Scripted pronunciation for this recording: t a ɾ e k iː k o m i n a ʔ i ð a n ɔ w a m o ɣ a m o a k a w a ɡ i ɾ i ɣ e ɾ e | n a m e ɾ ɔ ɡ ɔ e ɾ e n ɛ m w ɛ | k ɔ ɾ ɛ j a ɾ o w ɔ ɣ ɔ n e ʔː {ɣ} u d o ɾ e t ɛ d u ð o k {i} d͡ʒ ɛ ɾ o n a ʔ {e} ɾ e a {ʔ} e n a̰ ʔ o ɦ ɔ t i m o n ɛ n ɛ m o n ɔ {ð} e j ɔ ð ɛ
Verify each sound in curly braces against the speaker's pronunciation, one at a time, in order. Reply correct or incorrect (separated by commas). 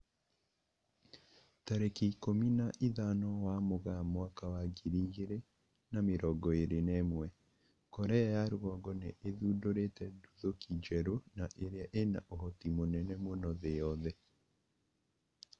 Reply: incorrect, correct, correct, correct, correct